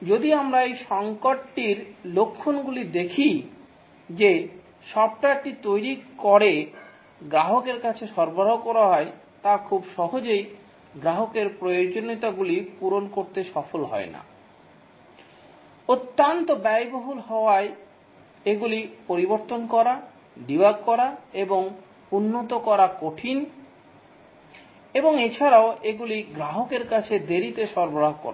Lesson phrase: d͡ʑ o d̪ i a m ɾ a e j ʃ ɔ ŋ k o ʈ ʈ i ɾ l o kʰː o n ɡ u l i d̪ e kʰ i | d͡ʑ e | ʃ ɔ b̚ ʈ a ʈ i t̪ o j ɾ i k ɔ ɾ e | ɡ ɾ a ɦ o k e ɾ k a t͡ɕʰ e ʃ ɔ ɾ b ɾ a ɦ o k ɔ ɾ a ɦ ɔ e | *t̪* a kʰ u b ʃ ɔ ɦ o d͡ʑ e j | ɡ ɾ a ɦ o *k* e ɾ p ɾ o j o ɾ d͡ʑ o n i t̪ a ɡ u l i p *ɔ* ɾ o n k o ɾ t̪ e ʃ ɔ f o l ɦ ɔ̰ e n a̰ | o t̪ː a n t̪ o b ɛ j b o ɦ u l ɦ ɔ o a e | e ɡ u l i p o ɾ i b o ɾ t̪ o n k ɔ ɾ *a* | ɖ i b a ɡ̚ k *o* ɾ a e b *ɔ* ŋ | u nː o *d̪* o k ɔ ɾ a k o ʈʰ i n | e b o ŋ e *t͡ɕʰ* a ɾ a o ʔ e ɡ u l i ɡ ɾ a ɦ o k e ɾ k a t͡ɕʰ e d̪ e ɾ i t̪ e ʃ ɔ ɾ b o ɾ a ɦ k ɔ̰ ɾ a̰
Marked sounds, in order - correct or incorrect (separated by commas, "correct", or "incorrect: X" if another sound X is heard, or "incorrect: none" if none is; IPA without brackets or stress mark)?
correct, correct, incorrect: u, correct, incorrect: ɔ, incorrect: o, incorrect: t̪, correct